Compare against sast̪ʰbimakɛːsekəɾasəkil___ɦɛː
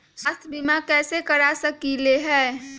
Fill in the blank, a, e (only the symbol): e